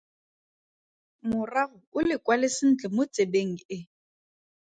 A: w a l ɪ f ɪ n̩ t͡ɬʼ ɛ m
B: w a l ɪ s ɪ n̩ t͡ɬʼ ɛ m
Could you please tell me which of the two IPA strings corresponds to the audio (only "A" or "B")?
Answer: B